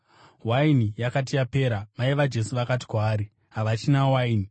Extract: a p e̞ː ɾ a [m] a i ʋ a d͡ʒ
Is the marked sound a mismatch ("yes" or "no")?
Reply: no